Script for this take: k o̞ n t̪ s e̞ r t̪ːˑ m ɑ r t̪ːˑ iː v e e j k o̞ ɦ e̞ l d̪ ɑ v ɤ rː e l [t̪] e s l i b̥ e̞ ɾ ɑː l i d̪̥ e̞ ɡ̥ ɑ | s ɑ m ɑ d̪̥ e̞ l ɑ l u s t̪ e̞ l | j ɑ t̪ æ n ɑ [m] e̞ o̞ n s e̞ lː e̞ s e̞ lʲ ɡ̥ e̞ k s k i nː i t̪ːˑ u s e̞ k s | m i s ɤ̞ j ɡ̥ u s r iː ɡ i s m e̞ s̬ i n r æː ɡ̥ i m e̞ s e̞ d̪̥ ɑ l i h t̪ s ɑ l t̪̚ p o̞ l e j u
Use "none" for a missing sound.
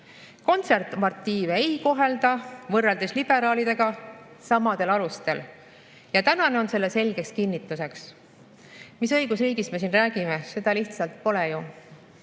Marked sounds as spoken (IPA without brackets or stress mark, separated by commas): d̪, n